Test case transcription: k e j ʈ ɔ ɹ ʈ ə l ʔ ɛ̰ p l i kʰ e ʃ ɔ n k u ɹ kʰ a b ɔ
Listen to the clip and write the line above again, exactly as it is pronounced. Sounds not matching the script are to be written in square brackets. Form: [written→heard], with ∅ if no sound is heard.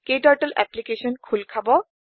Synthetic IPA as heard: k e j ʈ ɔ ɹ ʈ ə l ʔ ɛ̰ p l i [kʰ→k] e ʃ ɔ n [k→kʰ] u [ɹ→l] kʰ a b ɔ